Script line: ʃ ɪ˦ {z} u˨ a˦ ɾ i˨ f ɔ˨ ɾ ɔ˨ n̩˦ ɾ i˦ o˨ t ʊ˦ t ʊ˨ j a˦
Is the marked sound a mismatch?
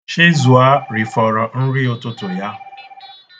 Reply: no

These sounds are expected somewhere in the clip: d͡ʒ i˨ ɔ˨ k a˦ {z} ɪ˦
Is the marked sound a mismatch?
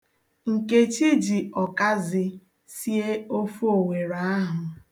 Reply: no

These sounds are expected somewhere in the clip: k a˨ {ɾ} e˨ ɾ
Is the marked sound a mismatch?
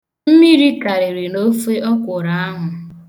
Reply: no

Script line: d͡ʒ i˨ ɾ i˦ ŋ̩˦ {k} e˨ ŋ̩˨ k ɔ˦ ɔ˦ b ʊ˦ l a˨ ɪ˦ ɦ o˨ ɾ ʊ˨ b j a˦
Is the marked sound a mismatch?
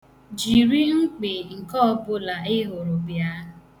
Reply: yes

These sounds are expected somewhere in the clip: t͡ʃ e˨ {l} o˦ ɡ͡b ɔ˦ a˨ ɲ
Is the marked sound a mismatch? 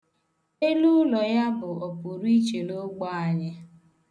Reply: no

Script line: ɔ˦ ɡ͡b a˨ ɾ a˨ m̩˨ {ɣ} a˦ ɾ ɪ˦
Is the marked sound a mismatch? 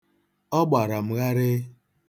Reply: no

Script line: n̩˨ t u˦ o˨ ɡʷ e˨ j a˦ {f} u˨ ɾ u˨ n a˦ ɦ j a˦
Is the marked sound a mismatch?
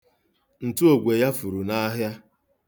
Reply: no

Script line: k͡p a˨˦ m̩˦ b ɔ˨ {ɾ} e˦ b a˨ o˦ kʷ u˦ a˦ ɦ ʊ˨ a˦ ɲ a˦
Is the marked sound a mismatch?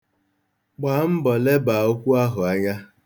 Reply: yes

